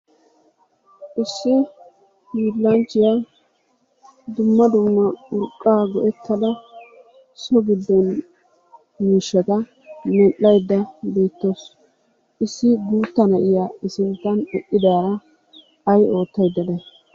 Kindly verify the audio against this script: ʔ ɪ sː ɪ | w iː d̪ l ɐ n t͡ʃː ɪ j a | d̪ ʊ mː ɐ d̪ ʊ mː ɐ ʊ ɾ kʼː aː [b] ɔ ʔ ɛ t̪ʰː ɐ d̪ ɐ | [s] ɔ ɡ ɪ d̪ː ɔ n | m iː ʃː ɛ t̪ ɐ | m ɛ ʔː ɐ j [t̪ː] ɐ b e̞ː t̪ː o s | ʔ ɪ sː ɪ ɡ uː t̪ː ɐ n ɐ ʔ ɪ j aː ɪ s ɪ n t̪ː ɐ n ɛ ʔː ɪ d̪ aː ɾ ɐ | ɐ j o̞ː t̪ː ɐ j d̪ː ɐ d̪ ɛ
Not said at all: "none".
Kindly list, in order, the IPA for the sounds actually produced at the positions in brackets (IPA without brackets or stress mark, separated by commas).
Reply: ɡ, s, d̪ː